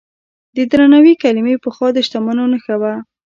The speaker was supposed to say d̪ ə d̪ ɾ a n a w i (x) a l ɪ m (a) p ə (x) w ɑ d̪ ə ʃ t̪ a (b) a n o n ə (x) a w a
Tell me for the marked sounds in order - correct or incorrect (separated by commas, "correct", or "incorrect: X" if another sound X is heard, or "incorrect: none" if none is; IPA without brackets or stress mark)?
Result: incorrect: k, incorrect: e, correct, incorrect: m, correct